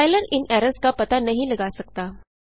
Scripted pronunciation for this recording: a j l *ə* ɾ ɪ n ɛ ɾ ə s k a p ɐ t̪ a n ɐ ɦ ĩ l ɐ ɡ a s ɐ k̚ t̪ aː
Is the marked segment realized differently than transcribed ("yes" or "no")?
no